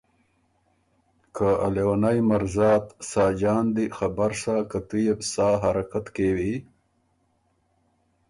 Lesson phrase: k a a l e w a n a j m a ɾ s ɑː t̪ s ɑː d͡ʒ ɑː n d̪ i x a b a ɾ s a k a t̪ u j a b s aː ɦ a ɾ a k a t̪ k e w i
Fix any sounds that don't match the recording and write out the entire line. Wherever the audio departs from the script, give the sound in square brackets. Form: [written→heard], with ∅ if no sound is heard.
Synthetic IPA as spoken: k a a l e w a n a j m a ɾ [s→z] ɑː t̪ s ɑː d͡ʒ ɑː n d̪ i x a b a ɾ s a k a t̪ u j [a→e] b s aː ɦ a ɾ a k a t̪ k e w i